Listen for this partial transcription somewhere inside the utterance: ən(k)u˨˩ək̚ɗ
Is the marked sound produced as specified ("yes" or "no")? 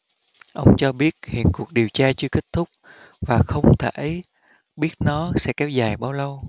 yes